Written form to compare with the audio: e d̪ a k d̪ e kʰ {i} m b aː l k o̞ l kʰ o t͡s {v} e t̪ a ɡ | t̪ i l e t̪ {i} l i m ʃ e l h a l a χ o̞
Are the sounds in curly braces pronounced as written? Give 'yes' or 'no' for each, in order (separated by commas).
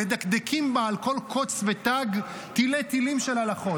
yes, yes, yes